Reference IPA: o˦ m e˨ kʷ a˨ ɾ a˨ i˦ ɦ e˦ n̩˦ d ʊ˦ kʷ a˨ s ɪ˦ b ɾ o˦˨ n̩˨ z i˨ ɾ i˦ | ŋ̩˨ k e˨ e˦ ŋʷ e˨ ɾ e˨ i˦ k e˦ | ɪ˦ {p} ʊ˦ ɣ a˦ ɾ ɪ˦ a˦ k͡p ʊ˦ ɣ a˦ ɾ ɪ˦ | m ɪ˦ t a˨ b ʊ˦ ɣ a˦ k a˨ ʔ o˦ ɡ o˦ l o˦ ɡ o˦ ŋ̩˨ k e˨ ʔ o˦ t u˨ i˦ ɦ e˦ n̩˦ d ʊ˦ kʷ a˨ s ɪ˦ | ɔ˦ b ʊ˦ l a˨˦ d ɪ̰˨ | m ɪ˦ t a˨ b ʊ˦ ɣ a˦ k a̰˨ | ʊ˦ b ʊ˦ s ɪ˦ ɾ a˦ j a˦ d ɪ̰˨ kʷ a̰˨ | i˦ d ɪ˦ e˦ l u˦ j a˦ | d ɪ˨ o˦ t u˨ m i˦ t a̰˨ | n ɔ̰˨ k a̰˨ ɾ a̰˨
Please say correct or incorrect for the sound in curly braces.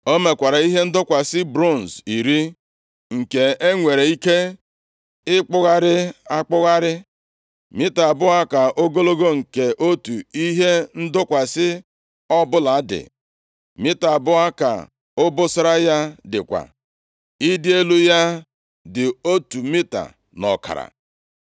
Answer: incorrect